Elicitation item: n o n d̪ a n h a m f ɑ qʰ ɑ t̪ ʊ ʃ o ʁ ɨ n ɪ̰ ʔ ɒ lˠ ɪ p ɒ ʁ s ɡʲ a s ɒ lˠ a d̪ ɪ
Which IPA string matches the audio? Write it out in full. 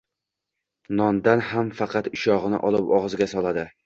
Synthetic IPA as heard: n ɒ n d̪ a n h a m f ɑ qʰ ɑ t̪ ʊ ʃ ɒ ʁ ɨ n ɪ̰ ʔ ɒ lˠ ɪ p ɒ ʁ z ɡʲ a s ɒ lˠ a d̪ ɪ